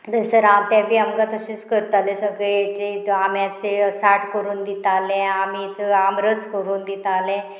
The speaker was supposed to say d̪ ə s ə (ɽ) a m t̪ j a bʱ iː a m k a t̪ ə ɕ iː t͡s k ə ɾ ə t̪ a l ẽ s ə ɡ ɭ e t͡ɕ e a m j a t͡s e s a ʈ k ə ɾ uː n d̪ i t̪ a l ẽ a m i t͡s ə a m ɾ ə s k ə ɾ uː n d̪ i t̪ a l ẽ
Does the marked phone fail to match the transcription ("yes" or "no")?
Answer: yes